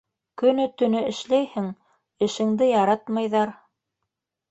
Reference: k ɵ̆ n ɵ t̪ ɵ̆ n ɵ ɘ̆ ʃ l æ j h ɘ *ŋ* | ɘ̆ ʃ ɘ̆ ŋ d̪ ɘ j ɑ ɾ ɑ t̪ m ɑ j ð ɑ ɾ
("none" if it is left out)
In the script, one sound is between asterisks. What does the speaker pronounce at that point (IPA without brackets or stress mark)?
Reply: ŋ